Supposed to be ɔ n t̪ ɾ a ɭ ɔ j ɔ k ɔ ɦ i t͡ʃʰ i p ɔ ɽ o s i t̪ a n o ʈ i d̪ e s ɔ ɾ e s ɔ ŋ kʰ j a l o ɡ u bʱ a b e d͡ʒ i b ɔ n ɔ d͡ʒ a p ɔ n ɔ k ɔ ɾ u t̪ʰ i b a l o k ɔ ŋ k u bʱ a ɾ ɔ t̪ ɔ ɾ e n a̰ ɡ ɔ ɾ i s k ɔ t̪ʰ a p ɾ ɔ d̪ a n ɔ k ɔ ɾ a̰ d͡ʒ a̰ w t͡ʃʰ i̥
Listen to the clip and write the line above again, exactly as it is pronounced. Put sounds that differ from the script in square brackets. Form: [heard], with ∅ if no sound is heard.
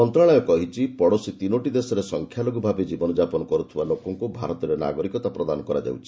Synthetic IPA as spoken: ɔ n t̪ ɾ a ɭ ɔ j ɔ k ɔ ɦ i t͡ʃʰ i p ɔ ɽ o s i t̪ [i] n o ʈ i d̪ e s ɔ ɾ e s ɔ ŋ kʰ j a l o ɡ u bʱ a b e d͡ʒ i b ɔ n ɔ d͡ʒ a p ɔ n ɔ k ɔ ɾ u t̪ʰ i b a l o k ɔ ŋ k u bʱ a ɾ ɔ t̪ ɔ ɾ e n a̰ ɡ ɔ ɾ i [∅] k ɔ [t̪] a p ɾ ɔ d̪ a n ɔ k ɔ ɾ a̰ d͡ʒ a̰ w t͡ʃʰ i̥